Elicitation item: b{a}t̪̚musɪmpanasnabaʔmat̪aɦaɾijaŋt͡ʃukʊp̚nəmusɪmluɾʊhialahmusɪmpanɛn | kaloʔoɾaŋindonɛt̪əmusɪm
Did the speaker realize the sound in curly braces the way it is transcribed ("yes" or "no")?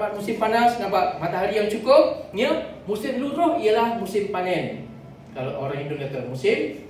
yes